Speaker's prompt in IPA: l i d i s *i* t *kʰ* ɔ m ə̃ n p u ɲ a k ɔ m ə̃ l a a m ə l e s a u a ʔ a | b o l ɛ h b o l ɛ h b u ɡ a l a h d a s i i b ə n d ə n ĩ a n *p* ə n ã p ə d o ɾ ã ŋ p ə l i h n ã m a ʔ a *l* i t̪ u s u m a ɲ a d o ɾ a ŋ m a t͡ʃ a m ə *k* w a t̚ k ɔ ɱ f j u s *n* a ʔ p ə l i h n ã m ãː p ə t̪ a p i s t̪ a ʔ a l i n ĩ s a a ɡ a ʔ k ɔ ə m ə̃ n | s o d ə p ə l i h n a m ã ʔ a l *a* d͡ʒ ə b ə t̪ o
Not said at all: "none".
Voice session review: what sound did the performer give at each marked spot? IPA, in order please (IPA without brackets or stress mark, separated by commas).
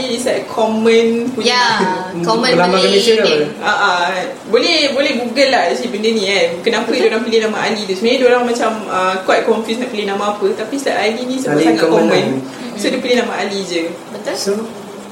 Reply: a, kʰ, k, l, k, n, i